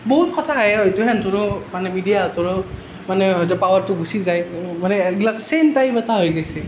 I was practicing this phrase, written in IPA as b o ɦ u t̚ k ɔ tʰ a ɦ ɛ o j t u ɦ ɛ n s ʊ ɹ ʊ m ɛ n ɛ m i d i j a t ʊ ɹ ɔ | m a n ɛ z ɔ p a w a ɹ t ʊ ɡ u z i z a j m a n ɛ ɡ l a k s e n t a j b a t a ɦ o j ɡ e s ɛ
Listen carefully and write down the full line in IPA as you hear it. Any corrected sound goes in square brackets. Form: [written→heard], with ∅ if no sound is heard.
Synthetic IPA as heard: b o ɦ u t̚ k ɔ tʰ a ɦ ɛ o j t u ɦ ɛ n [s→t] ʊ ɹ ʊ m [ɛ→a] n ɛ m i d i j a t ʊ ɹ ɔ | m a n ɛ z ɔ p a w a ɹ t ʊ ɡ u [z→s] i z a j m a n ɛ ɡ l a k s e n t a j b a t a ɦ o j ɡ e s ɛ